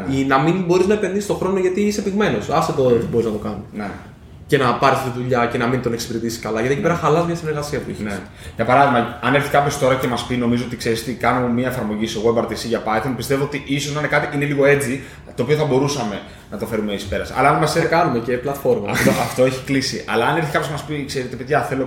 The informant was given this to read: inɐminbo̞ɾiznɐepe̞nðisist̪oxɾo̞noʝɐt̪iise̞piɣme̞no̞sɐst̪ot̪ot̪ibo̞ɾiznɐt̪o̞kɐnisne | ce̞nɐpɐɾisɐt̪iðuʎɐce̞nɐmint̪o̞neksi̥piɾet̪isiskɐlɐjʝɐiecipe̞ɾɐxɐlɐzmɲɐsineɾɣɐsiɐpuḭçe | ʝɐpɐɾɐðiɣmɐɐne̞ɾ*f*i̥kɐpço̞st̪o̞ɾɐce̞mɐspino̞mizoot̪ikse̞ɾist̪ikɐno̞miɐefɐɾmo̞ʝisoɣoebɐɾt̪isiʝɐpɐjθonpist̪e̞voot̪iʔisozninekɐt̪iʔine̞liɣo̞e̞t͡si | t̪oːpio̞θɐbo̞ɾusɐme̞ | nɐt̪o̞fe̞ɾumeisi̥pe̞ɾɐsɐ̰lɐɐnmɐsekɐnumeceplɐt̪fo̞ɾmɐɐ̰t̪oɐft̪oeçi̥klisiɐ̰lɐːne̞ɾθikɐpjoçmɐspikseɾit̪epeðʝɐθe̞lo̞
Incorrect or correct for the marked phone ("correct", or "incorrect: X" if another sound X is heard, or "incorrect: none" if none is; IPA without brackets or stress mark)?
incorrect: θ